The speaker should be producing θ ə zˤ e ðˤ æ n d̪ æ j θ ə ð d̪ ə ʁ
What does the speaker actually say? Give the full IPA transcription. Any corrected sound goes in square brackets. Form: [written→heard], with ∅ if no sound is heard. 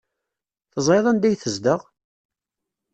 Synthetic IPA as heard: θ ə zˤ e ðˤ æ n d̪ æ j θ ə [ð→z] d̪ ə ʁ